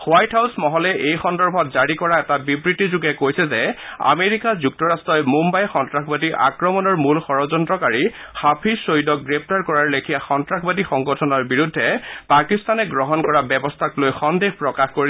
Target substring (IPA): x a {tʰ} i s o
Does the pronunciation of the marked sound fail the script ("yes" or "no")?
yes